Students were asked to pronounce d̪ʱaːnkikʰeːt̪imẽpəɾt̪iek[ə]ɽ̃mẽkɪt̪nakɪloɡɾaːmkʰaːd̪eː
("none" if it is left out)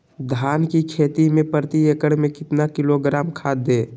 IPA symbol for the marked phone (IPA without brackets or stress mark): ə